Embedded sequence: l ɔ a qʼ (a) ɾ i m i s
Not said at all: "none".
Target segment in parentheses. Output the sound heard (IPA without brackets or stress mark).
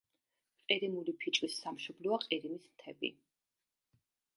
i